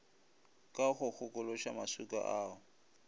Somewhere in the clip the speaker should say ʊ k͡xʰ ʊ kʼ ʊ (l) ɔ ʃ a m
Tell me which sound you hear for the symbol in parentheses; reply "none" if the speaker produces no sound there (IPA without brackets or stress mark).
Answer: l